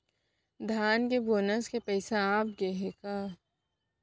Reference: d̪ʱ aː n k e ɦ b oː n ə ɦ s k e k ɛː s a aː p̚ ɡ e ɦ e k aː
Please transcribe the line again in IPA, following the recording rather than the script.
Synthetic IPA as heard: d̪ʱ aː n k e b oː n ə s k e p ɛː s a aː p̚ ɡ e ɦ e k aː